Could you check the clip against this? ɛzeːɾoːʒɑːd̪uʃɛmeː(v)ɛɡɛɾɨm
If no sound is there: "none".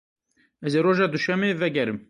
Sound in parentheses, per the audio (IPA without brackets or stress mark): v